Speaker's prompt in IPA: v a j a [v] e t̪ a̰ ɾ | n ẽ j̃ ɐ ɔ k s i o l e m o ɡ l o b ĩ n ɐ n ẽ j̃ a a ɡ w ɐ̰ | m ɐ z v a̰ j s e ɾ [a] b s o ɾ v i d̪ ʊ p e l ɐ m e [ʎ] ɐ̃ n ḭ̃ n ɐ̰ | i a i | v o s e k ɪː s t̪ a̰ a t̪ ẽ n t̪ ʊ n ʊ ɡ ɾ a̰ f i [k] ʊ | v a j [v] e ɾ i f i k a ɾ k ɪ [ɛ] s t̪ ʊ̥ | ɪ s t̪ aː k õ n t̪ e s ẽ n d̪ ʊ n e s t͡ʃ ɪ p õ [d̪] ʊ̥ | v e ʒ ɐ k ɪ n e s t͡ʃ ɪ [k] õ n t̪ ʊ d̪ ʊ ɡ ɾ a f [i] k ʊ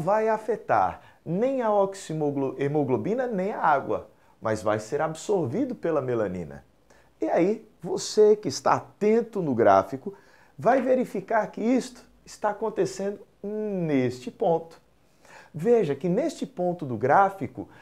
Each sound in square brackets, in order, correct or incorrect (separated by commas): incorrect, correct, incorrect, correct, correct, incorrect, incorrect, incorrect, correct